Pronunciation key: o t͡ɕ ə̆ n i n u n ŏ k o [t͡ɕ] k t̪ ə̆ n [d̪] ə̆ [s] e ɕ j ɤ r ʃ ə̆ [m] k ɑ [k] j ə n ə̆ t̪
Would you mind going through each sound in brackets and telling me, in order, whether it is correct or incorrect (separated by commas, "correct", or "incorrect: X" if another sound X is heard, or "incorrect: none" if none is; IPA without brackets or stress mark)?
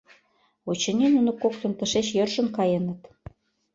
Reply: incorrect: none, incorrect: t̪, incorrect: ʃ, incorrect: n, incorrect: none